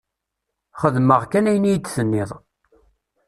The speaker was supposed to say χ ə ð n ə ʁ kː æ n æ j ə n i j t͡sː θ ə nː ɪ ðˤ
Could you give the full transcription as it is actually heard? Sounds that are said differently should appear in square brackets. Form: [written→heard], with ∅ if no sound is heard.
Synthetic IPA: χ ə ð [n→m] ə ʁ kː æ n æ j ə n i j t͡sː θ ə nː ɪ ðˤ